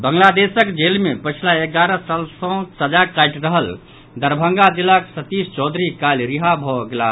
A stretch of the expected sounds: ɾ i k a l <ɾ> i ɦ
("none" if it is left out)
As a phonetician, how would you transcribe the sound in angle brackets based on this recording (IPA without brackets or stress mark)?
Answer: ɾ